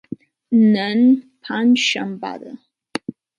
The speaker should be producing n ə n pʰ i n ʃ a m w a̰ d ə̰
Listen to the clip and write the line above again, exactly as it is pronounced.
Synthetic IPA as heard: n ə n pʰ a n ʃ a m b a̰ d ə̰